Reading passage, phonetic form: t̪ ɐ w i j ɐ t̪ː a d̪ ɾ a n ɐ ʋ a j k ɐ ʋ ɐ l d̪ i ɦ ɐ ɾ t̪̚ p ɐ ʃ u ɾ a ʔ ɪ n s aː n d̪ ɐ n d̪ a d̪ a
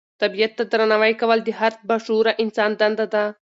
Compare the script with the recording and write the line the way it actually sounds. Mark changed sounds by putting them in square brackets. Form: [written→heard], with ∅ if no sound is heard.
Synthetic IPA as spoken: t̪ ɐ [w→b] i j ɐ t̪ː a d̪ ɾ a n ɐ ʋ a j k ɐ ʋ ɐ l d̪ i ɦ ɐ ɾ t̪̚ [p→b] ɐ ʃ u ɾ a ʔ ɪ n s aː n d̪ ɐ n d̪ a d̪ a